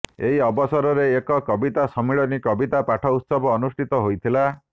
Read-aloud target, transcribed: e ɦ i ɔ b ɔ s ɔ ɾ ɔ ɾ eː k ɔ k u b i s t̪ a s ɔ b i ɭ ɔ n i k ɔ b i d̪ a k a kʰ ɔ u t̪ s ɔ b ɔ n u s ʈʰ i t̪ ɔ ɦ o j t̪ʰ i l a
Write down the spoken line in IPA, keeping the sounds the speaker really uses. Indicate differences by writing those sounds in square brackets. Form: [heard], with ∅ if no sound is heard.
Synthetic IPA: e ɦ i ɔ b ɔ s ɔ ɾ ɔ ɾ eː k ɔ k [ɔ] b i [∅] t̪ a s ɔ [m] i ɭ ɔ n i k ɔ b i [t̪] a [p] a [ʈʰ] ɔ u t̪ s ɔ b [ɔː] n u s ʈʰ i t̪ ɔ ɦ o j t̪ʰ i l a